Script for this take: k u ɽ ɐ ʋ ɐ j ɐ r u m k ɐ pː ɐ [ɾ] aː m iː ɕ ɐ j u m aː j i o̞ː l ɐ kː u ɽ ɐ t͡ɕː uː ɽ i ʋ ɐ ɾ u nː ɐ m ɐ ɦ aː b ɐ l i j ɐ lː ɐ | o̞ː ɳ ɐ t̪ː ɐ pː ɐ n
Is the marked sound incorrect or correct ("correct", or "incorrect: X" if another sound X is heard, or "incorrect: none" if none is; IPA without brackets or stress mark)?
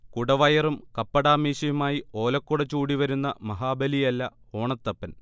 incorrect: ɽ